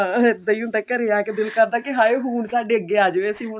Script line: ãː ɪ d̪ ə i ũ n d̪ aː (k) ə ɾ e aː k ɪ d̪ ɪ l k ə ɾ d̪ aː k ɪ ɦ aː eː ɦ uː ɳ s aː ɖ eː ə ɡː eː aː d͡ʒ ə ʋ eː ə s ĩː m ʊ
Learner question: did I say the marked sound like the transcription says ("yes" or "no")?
yes